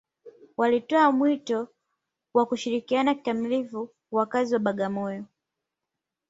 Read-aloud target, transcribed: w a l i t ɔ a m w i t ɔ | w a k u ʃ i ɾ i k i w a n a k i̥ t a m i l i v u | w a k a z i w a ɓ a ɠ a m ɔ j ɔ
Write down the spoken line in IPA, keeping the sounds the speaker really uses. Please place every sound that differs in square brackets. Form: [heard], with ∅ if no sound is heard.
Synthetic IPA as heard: w a l i t ɔ a m w i t ɔ | w a k u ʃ i ɾ i k i [∅] a n a k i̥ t a m i l i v u | w a k a z i w a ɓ a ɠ a m ɔ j ɔ

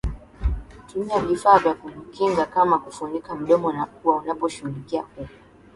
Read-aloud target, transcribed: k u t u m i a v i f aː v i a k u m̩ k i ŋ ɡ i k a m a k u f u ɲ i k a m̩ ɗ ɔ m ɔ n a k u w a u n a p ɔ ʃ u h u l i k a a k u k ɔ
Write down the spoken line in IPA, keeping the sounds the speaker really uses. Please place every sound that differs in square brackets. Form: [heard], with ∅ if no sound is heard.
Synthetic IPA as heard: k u t u m i a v i f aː v [j] a k u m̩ k i ŋ ɡ [a] k a m a k u f u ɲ i k a m̩ ɗ ɔ m ɔ n a k u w a u n a p ɔ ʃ u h u l i k [i] a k u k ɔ

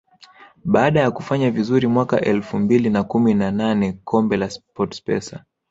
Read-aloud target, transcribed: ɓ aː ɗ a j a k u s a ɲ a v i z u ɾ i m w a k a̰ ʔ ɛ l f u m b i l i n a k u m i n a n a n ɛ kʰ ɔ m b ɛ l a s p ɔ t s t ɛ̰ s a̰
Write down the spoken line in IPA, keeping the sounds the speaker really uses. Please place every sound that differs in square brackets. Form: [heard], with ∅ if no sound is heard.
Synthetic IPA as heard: ɓ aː ɗ a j a k u [f] a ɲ a v i z u ɾ i m w a k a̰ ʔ ɛ l f u m b i l i n a k u m i n a n a n ɛ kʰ ɔ m b ɛ l a s p ɔ t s [p] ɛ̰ s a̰

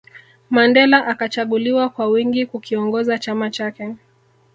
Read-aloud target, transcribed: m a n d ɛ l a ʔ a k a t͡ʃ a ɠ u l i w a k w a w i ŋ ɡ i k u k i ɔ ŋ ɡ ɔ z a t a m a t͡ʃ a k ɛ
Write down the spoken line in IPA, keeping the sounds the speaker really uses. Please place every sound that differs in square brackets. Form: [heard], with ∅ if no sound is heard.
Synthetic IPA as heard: m a n d ɛ l a ʔ a k a t͡ʃ a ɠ u l i w a k w a w i ŋ ɡ i k u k i ɔ ŋ ɡ ɔ z a [t͡ʃ] a m a t͡ʃ a k ɛ

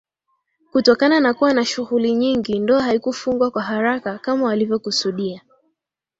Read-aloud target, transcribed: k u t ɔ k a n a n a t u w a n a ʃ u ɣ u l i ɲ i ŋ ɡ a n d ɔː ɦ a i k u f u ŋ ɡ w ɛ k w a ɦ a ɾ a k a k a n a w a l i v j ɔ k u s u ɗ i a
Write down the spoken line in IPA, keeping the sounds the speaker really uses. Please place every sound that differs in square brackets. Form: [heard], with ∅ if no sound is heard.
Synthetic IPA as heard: k u t ɔ k a n a n a [k] u w a n a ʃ u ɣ u l i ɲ i ŋ ɡ [i] n d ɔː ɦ a i k u f u ŋ ɡ w [a] k w a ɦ a ɾ a k a k a [m] a w a l i v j ɔ k u s u ɗ i a

